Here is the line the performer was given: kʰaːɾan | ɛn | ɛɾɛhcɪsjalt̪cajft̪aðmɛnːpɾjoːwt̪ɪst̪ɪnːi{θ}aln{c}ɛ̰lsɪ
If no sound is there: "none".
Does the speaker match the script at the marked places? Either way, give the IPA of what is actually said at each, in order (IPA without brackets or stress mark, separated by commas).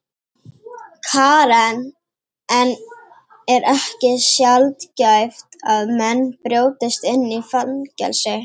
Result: f, c